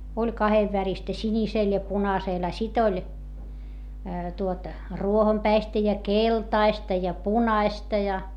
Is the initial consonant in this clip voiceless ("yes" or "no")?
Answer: no